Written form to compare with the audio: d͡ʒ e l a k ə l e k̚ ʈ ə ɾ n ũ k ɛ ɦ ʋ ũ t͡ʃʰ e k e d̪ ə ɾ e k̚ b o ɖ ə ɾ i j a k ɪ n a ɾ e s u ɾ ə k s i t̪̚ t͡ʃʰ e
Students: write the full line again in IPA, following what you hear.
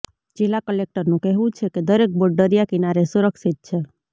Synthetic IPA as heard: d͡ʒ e l a k ə l e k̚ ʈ ə ɾ n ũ k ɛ ɦ ʋ ũ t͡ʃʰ e k e d̪ ə ɾ e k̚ b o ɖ ə ɾ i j a k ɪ n a ɾ e s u ɾ ə k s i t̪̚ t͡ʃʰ e